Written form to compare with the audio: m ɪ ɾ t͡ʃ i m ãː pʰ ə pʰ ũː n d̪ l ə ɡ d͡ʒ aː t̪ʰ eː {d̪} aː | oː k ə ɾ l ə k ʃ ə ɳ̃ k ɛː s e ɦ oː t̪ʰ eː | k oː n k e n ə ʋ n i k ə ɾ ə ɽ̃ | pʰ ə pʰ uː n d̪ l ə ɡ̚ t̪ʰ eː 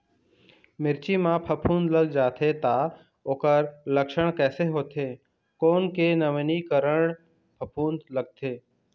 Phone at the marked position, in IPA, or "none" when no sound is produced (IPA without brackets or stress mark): t̪